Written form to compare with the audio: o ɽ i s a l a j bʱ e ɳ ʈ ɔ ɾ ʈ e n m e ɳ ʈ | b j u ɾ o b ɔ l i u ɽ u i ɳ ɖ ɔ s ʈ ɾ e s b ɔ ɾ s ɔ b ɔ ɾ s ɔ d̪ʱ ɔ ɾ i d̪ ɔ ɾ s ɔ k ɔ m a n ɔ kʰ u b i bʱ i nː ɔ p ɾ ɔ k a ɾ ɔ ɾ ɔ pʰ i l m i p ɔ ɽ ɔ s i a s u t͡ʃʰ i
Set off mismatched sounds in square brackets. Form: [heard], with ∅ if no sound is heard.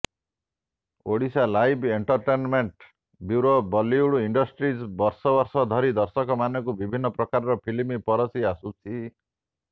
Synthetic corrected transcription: o ɽ i s a l a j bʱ e ɳ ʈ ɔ ɾ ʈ e n m e ɳ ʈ | b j u ɾ o b ɔ l i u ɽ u i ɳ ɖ ɔ s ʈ ɾ [i] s b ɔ ɾ s ɔ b ɔ ɾ s ɔ d̪ʱ ɔ ɾ i d̪ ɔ ɾ s ɔ k ɔ m a n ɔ [k] u b i bʱ i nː ɔ p ɾ ɔ k a ɾ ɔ ɾ ɔ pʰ i l m i p ɔ [ɾ] ɔ s i a s u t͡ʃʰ i